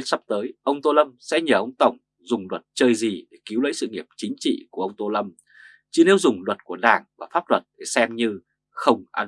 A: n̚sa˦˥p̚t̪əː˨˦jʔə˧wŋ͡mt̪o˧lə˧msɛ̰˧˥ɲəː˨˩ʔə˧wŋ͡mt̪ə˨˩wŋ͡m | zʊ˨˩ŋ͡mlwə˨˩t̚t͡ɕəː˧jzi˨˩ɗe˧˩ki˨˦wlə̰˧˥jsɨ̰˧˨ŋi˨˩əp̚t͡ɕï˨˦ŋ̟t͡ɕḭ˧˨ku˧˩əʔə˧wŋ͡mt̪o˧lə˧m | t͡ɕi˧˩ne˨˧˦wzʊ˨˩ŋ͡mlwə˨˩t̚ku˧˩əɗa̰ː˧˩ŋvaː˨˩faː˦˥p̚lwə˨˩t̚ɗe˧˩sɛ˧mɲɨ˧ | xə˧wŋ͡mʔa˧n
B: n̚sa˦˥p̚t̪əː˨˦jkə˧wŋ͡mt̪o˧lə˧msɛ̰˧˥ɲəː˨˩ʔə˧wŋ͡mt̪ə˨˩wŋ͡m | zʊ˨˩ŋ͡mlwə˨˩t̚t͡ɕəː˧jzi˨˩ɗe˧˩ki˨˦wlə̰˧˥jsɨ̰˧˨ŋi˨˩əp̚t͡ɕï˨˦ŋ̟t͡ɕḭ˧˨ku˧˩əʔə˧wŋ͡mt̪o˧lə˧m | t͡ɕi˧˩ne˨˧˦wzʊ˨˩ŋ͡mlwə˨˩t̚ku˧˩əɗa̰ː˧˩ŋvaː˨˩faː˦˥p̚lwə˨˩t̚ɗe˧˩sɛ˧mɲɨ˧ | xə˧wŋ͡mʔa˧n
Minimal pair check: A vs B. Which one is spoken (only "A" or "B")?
A